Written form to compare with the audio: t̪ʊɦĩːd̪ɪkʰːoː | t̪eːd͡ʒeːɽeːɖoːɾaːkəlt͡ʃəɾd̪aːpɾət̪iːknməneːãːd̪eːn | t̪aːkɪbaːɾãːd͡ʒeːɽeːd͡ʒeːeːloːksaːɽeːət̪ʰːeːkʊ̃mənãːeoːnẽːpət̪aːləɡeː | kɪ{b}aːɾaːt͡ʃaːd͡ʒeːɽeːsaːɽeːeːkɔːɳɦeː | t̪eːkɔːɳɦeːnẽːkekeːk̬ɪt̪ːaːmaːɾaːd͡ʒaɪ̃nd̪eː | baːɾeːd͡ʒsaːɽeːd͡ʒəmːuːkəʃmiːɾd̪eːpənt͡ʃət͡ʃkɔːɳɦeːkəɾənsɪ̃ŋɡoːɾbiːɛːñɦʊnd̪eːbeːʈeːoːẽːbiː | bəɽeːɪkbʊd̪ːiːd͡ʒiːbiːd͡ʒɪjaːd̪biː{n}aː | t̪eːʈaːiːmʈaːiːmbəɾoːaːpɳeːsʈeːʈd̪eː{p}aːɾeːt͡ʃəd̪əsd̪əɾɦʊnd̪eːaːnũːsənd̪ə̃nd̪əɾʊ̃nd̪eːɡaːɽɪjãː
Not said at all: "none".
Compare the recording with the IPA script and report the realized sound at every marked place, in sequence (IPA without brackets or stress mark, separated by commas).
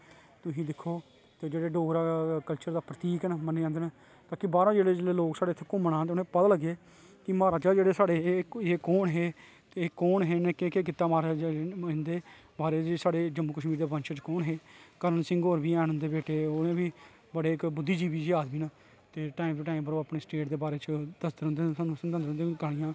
m, n, b